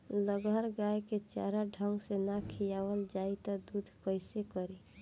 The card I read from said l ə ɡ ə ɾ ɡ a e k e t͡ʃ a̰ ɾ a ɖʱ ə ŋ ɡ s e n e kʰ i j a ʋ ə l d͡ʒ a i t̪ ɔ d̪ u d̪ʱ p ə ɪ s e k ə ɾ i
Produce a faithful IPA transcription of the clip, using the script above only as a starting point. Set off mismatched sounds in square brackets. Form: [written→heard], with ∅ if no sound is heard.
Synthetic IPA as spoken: l ə ɡ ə ɾ ɡ a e k e t͡ʃ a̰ ɾ a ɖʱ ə ŋ ɡ s e n [e→a] kʰ i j a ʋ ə l d͡ʒ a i t̪ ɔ d̪ u d̪ʱ p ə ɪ s e k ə ɾ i